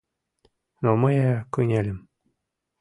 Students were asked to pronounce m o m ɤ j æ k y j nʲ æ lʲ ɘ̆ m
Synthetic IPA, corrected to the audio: n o m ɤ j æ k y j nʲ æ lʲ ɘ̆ m